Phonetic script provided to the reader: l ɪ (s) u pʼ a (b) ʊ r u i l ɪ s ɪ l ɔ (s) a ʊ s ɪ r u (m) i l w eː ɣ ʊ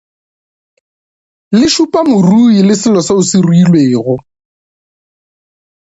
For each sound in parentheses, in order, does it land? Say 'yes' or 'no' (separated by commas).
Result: no, no, yes, no